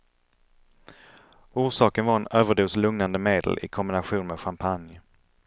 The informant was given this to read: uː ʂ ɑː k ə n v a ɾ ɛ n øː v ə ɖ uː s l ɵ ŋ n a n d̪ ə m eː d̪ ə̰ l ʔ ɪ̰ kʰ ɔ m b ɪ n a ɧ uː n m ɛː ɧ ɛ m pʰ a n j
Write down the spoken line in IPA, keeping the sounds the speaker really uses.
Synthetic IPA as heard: uː ʂ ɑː k ə n v a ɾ ɛ n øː v ə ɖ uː s l ɵ ŋ n a n d̪ ə m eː d̪ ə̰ l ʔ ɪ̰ kʰ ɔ m b ɪ n a ɧ uː n m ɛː ɧ a m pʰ a n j